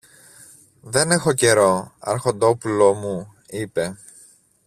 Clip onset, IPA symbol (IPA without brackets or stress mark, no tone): ð